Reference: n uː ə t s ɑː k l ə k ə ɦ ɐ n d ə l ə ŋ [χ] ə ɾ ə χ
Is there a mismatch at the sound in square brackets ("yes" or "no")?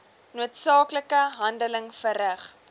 yes